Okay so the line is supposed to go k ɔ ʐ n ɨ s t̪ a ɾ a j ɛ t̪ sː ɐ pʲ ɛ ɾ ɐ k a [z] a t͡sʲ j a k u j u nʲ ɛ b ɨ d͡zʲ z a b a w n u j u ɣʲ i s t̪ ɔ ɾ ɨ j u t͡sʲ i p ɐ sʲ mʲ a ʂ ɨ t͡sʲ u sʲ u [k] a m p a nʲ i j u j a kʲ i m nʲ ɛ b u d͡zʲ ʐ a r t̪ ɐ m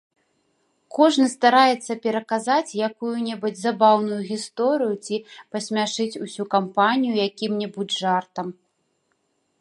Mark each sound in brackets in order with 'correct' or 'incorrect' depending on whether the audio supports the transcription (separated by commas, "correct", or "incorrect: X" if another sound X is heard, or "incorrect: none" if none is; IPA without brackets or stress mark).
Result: correct, correct